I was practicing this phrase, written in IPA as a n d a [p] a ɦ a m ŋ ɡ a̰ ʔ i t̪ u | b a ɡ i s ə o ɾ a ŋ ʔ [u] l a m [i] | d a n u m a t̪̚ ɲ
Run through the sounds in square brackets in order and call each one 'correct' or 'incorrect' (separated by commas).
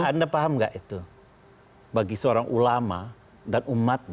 correct, correct, incorrect